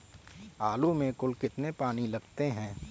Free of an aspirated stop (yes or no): yes